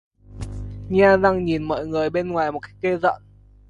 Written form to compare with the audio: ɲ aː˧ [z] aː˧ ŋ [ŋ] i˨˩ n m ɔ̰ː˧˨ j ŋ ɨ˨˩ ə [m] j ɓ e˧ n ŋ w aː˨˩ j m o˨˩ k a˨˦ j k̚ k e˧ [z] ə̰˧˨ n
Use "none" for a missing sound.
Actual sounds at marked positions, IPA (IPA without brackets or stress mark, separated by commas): z, ɲ, none, z